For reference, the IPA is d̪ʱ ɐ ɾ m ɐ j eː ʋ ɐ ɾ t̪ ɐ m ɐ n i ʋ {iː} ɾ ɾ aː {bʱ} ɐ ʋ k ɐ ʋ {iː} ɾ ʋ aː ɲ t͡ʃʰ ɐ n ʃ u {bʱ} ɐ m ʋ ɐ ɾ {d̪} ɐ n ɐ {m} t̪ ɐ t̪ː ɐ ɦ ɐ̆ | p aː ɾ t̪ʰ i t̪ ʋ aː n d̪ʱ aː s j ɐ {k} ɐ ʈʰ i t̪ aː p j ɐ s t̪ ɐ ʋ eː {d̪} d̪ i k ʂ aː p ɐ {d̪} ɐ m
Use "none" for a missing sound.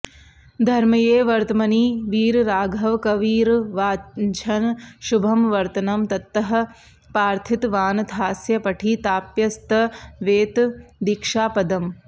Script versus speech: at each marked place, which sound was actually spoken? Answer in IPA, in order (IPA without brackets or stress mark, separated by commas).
iː, ɡʱ, iː, bʱ, t̪, m, p, t̪, d̪